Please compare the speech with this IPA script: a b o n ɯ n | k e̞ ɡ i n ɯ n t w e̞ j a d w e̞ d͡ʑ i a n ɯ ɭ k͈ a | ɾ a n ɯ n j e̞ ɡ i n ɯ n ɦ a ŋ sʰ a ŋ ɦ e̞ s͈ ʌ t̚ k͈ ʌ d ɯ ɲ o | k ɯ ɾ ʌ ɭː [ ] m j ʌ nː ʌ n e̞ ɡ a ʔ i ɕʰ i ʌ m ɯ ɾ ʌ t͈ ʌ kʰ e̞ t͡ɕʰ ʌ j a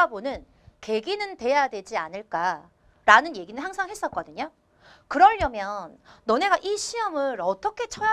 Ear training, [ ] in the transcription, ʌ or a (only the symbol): ʌ